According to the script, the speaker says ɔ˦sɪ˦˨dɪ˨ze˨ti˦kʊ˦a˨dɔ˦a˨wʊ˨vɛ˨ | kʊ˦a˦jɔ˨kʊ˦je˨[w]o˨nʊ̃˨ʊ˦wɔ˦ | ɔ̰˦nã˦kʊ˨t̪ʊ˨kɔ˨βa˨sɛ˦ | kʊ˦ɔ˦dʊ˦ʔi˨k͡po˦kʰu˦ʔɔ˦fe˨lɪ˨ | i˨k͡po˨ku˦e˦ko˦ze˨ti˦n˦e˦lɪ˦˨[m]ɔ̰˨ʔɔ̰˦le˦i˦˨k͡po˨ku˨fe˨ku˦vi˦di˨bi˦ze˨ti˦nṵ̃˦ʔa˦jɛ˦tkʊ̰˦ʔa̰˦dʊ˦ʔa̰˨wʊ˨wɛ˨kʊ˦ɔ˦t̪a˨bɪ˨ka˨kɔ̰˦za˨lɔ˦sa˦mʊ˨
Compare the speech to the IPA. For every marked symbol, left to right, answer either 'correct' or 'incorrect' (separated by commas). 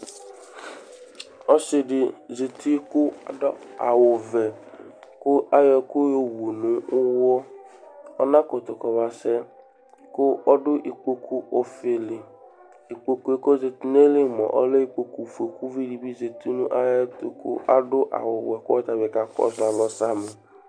correct, correct